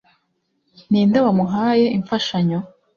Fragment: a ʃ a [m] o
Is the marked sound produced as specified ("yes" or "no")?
no